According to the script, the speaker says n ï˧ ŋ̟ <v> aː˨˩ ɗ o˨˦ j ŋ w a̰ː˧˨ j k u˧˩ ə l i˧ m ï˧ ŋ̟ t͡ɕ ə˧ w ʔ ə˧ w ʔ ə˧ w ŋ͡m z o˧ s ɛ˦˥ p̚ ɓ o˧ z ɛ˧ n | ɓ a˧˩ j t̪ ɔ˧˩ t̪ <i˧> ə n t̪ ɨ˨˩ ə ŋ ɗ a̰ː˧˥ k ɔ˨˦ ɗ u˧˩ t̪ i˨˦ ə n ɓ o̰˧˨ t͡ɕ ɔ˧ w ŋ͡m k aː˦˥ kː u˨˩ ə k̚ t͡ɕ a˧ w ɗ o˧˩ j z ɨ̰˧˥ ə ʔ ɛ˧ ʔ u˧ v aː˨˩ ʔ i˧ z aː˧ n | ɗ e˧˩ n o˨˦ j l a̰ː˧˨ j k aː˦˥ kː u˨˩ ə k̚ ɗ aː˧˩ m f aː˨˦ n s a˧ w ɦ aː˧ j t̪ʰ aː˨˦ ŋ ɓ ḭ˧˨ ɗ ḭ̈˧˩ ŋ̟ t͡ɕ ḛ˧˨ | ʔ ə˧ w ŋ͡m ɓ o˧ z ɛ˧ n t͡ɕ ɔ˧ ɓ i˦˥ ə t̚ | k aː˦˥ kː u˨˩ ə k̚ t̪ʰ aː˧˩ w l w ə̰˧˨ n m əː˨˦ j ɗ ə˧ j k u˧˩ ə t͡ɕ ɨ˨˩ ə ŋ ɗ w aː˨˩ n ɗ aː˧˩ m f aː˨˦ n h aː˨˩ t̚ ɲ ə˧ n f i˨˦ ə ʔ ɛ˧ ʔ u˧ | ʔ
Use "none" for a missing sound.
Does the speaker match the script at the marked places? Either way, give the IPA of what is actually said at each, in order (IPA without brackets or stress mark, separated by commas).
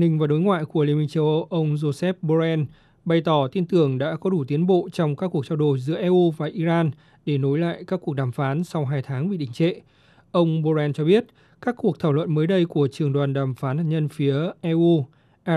v, i˧